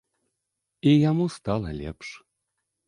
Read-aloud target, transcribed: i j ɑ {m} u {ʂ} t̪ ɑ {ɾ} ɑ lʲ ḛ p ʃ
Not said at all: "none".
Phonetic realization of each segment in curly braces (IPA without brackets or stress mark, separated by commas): m, s, l